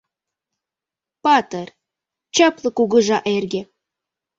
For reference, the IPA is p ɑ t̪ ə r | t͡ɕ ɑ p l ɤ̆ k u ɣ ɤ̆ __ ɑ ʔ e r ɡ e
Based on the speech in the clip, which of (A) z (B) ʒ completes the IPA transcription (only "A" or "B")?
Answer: B